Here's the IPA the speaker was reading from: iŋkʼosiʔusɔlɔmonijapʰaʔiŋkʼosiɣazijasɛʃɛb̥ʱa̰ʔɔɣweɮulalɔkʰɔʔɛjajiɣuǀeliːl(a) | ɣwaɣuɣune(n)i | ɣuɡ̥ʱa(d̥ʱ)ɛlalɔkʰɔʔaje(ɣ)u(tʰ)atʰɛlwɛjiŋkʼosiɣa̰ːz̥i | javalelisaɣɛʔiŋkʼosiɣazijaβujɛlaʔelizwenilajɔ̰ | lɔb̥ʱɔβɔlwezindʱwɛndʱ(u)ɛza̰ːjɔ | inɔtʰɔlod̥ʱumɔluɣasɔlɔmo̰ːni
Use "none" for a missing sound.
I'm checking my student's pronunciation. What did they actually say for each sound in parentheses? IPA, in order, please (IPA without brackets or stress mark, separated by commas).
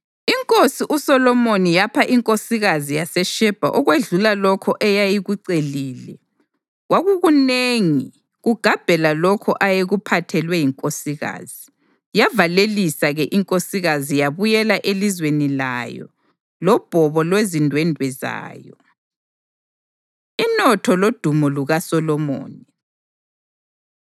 ɛ, ŋ, b̥ʱ, ɣ, pʰ, w